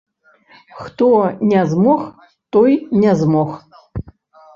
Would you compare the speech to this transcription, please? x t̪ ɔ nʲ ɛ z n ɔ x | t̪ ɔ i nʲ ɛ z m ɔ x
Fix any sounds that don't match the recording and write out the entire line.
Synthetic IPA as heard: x t̪ ɔ nʲ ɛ z m ɔ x | t̪ ɔ j nʲ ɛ z m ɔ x

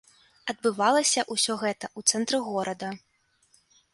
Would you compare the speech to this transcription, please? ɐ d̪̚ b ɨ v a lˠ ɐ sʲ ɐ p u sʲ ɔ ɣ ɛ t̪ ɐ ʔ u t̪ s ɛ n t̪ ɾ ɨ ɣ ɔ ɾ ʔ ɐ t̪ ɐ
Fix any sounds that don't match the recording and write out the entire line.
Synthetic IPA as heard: ɐ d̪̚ b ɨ v a lˠ ɐ sʲ ɐ ʔ u sʲ ɔ ɣ ɛ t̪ ɐ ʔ u t̪ s ɛ n t̪ ɾ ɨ ɣ ɔ ɾ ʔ ɐ d̪ ɐ

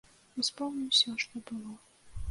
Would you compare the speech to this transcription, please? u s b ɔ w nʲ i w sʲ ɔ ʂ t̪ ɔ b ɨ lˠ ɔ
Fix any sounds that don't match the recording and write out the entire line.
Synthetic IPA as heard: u s p ɔ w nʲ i w sʲ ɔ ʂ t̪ ɔ b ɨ lˠ ɔ

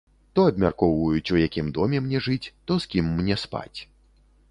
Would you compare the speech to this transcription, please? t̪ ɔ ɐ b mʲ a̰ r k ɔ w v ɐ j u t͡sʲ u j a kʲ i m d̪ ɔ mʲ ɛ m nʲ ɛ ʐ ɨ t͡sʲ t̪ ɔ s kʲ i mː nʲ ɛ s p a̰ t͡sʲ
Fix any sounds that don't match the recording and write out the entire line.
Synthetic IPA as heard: t̪ ɔ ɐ b mʲ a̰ r k ɔ w v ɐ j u t͡sʲ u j a kʲ i m d̪ ɔ mʲ ɛ m nʲ ɛ ʐ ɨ t͡sʲ t̪ ɔ s kʲ i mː nʲ ɛ s p a̰ t͡sʲ

